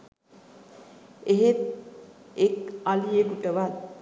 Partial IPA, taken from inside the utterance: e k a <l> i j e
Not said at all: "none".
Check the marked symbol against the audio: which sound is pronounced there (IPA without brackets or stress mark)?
l